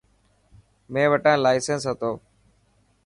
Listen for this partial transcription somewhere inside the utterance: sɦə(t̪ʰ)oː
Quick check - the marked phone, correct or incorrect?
incorrect